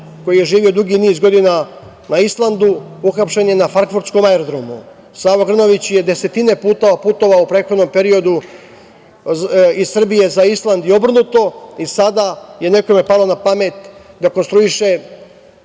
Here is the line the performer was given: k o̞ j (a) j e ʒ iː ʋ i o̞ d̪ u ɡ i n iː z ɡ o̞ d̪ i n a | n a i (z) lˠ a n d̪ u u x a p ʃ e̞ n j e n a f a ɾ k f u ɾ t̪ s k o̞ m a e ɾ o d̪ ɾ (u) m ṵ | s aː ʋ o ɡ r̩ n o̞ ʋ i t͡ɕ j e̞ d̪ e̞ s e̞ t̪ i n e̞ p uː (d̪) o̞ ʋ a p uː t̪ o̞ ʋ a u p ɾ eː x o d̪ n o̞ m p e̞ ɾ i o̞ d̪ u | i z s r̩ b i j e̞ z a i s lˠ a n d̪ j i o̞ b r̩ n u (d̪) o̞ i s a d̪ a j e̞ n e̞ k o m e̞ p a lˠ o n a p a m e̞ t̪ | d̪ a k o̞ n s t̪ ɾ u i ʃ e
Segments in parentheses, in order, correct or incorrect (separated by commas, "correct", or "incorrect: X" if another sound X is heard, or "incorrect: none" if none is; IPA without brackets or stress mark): incorrect: i, incorrect: s, incorrect: o, incorrect: t̪, incorrect: t̪